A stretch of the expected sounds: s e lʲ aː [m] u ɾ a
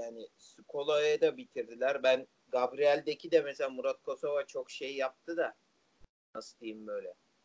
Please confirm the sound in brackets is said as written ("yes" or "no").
yes